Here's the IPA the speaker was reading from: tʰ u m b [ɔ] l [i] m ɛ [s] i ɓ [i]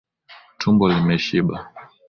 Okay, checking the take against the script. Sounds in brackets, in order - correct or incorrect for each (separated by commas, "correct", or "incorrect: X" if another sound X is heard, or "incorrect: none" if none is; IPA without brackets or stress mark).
correct, correct, incorrect: ʃ, incorrect: a